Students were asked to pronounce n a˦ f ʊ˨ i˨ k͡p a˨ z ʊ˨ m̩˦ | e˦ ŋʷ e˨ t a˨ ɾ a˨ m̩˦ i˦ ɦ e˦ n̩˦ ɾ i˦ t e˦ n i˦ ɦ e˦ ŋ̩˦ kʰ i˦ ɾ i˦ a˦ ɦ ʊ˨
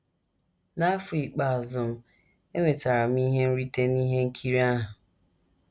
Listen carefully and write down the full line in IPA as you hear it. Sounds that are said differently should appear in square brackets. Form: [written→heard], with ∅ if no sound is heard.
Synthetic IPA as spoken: n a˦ f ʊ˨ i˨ k͡p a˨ z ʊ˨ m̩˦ | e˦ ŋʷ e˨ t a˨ ɾ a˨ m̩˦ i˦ ɦ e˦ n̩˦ ɾ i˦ t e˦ n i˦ ɦ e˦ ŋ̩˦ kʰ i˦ ɾ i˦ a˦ ɦ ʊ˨